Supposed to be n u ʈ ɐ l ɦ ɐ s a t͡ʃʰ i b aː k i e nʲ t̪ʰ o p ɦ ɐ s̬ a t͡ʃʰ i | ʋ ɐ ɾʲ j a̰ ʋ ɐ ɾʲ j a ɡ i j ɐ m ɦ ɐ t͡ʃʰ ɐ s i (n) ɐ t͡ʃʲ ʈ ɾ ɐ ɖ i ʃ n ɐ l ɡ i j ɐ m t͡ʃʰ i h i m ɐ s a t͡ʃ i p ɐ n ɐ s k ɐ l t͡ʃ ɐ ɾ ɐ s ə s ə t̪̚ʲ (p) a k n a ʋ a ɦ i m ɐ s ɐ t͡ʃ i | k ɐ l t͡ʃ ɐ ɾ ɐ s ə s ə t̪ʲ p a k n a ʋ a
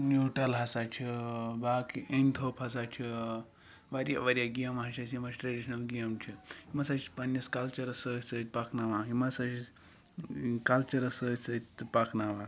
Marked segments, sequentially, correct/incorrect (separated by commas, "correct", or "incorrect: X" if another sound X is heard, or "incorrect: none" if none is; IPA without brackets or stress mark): incorrect: m, correct